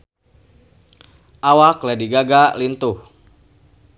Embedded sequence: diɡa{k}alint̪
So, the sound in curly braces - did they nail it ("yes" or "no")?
no